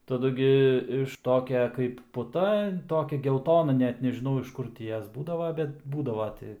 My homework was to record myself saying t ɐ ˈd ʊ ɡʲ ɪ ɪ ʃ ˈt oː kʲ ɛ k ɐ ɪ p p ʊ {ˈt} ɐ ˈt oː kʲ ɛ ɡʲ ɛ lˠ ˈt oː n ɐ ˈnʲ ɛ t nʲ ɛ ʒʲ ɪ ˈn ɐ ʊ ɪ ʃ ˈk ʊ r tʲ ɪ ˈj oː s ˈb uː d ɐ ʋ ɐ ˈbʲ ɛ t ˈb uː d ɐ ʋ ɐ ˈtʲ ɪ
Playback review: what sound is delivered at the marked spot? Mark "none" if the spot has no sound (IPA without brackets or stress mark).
t